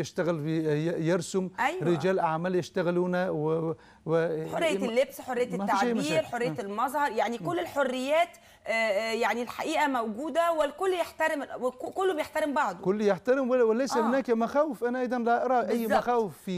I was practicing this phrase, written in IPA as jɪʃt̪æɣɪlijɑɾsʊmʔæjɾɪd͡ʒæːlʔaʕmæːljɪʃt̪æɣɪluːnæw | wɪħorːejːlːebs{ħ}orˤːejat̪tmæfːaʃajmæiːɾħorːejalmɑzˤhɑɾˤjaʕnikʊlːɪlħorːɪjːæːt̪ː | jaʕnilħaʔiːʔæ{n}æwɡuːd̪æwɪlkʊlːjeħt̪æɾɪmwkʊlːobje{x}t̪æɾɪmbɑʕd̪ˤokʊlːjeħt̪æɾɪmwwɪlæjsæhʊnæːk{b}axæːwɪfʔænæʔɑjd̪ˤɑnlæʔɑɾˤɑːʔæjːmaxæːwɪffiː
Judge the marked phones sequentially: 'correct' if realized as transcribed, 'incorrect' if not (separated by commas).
correct, incorrect, incorrect, incorrect